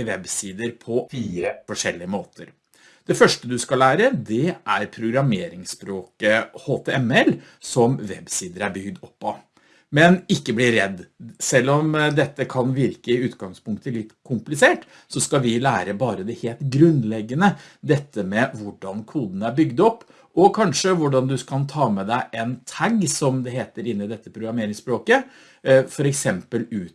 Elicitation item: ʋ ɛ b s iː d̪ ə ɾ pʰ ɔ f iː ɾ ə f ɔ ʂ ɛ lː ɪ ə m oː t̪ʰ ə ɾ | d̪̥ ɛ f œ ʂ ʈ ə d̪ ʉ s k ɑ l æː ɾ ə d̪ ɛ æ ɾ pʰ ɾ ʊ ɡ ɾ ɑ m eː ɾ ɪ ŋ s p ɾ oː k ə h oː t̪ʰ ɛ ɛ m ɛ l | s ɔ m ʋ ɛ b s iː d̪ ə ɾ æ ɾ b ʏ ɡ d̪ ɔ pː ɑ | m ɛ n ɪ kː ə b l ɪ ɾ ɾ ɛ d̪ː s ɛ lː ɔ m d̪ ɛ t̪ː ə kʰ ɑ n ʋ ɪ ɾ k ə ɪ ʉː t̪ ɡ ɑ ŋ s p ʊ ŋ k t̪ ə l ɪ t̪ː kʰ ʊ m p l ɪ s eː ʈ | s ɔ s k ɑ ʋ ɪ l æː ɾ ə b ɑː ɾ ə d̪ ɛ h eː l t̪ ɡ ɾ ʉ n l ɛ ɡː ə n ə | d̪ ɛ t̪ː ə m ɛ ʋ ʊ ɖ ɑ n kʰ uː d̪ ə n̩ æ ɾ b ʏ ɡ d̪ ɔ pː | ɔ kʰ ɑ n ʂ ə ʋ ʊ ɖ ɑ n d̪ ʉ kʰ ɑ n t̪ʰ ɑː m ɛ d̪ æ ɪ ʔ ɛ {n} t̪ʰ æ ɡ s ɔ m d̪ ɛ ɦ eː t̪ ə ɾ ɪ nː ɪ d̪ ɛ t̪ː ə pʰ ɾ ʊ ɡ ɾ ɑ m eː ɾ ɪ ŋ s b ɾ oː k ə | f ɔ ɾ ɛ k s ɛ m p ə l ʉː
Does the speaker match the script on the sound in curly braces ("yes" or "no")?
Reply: yes